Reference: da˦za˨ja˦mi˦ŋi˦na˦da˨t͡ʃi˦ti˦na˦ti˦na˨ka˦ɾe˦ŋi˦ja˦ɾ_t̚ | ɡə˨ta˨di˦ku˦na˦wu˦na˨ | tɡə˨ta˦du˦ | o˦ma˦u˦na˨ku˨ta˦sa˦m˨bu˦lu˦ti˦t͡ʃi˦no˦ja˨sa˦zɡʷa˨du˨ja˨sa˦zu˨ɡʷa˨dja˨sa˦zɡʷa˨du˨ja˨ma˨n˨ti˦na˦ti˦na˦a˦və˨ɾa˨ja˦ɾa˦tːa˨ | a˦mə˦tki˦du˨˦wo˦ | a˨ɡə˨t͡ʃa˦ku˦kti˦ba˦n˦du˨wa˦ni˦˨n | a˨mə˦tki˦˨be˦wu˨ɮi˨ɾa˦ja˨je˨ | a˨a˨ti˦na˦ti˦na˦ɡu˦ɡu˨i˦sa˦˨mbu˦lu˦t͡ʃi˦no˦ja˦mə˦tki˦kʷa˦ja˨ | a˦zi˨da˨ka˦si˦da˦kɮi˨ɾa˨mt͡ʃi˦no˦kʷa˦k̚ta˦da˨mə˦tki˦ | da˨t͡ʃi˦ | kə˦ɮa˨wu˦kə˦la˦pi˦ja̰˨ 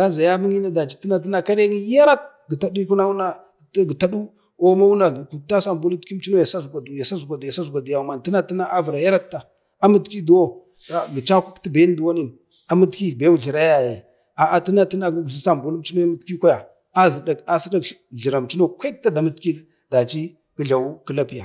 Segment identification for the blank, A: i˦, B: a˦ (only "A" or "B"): B